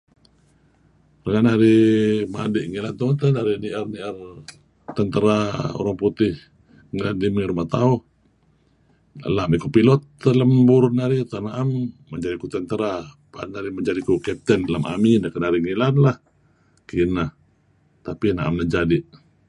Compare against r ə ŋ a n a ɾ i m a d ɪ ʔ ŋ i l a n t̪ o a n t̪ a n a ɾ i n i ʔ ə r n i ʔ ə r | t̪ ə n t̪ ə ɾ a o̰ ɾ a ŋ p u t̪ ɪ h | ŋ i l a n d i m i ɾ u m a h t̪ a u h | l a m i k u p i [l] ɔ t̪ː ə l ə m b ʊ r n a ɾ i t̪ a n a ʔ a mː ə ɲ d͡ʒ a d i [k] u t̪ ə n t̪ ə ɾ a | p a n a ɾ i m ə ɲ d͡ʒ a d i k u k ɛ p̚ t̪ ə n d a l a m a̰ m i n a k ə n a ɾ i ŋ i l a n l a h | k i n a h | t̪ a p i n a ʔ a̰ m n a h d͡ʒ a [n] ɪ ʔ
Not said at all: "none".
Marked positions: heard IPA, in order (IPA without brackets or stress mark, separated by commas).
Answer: l, k, d